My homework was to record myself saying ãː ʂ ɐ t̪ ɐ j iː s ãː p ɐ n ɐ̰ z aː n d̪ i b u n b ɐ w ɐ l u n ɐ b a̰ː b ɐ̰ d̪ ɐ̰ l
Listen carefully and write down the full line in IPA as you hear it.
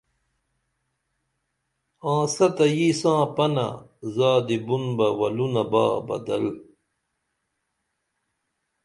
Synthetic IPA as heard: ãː s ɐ t̪ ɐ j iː s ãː p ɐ n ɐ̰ z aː d̪ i b u n b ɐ w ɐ l u n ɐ b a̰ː b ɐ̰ d̪ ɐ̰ l